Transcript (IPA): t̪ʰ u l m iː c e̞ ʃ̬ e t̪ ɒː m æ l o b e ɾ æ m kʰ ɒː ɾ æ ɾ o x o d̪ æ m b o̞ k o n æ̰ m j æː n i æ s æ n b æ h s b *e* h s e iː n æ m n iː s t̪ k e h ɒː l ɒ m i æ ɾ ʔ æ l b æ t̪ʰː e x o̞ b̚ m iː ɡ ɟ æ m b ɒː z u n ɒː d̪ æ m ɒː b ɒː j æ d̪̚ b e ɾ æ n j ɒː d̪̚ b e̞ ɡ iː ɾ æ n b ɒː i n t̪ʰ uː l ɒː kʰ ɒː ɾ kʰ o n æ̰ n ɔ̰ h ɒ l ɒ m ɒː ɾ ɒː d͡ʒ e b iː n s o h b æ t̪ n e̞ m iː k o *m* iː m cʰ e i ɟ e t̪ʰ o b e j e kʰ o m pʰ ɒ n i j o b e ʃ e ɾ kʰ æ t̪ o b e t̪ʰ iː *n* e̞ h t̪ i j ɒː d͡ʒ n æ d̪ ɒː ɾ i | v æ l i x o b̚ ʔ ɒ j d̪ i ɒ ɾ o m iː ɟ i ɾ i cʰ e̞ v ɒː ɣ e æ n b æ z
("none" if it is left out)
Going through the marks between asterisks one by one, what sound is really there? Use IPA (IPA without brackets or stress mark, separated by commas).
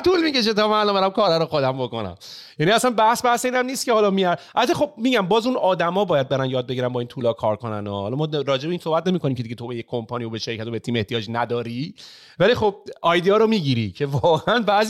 æ, n, m